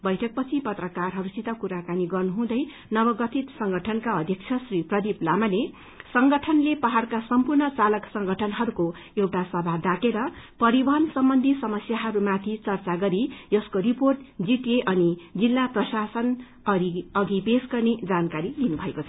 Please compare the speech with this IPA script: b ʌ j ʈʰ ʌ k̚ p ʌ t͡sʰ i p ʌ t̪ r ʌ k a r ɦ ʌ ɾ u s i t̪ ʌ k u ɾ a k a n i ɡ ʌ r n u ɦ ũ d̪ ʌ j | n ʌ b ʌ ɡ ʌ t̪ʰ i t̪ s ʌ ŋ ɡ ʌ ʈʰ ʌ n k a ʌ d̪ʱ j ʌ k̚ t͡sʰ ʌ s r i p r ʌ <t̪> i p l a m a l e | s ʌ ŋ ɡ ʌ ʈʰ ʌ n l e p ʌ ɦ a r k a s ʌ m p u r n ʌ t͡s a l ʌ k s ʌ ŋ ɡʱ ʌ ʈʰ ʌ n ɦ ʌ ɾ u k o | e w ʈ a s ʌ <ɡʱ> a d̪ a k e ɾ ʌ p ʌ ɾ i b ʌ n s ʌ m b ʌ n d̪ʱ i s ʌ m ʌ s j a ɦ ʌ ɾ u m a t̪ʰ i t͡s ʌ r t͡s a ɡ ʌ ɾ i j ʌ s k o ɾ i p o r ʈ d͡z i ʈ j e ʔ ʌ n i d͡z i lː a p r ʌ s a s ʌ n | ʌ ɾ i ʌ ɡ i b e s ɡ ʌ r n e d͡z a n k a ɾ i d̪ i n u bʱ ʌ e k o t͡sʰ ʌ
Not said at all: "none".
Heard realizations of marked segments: d̪, bʱ

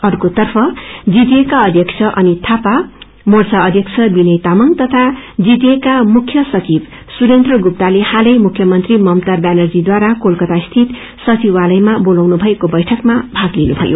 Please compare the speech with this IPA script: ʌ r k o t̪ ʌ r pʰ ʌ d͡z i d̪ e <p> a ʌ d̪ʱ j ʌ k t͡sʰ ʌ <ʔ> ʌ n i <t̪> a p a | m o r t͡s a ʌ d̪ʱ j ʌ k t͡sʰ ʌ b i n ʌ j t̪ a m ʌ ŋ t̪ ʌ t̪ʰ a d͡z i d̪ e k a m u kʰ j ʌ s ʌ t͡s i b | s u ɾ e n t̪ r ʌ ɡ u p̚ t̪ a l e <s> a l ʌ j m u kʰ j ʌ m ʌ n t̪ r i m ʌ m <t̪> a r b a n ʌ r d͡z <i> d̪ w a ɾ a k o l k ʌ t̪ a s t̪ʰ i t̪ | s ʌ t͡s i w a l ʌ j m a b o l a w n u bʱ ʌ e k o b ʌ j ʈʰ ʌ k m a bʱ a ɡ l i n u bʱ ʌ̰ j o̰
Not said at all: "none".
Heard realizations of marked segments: k, ʔ, t̪ʰ, h, t̪, i

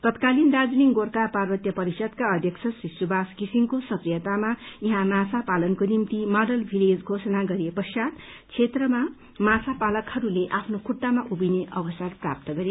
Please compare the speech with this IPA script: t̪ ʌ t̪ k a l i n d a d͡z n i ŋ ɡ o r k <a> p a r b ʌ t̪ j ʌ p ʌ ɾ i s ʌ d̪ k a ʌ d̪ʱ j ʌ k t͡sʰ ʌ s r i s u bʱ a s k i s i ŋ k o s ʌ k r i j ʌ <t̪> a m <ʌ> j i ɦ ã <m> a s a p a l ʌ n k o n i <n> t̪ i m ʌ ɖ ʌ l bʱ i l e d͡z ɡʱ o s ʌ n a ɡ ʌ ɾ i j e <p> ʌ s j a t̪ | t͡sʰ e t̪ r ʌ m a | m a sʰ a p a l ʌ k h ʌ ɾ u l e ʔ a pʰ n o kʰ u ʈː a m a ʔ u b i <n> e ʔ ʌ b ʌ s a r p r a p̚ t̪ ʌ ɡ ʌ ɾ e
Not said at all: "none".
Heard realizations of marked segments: a, t̪, a, m, m, p, n

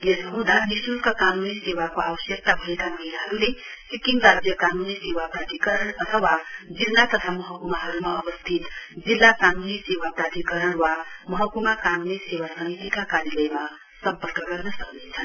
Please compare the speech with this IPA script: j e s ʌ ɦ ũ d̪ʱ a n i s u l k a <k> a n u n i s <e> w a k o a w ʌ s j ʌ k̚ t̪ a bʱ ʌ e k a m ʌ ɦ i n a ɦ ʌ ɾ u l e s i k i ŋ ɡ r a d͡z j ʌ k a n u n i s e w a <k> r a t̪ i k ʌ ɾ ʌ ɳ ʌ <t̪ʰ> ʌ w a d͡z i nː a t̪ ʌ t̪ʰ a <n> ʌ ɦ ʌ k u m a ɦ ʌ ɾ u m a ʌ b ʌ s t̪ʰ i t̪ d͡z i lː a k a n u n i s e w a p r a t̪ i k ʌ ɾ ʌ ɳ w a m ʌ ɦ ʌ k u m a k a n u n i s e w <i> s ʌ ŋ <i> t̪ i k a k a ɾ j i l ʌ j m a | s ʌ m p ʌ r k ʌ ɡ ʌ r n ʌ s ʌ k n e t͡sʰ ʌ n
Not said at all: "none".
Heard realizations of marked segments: k, e, p, t̪ʰ, m, a, i

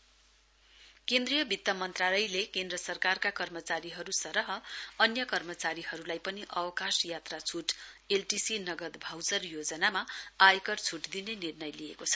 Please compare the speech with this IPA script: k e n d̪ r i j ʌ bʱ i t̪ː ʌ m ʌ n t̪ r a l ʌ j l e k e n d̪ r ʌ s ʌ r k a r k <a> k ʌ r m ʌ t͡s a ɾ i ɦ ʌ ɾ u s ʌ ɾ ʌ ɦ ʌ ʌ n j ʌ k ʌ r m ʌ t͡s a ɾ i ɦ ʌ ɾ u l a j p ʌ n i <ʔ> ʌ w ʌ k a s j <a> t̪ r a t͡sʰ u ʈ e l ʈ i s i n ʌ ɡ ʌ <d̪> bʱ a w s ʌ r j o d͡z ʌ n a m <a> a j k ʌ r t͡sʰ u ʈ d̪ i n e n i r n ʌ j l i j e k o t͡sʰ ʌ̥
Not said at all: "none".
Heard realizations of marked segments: a, ʔ, a, d̪, a

